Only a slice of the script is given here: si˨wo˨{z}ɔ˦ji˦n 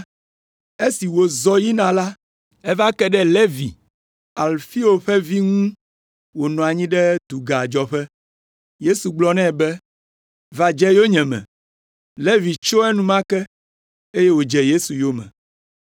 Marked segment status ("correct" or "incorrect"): correct